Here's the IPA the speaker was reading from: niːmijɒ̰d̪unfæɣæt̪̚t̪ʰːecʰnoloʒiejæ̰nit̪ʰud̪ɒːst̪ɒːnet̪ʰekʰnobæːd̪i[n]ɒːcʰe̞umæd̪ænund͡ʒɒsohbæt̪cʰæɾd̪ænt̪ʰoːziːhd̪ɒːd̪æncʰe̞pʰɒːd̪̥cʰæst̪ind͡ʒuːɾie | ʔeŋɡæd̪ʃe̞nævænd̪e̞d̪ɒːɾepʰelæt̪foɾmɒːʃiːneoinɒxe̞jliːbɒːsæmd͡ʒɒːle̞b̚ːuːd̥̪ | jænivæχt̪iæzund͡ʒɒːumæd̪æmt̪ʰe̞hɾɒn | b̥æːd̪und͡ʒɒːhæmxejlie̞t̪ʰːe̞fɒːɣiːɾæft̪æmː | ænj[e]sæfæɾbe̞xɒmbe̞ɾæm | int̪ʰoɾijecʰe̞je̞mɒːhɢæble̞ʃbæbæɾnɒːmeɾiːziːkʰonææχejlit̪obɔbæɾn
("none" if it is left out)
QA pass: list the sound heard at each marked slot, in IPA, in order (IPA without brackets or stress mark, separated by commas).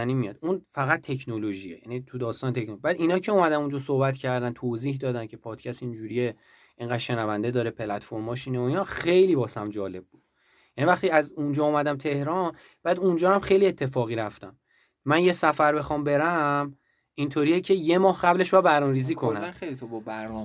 n, e